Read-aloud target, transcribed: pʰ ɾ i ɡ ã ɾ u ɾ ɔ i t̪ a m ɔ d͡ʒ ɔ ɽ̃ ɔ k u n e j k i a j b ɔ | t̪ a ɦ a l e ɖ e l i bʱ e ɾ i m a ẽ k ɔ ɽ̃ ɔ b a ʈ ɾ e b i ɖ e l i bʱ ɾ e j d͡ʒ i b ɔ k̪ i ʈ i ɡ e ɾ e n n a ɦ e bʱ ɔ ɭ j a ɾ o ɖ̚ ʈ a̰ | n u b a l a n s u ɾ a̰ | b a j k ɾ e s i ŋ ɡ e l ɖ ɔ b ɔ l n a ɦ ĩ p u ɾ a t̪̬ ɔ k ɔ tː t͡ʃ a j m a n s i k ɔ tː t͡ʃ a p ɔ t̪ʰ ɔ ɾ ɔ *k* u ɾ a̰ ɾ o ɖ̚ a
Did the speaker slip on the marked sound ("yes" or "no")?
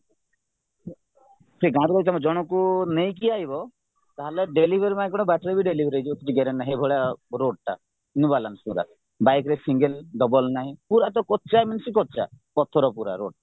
yes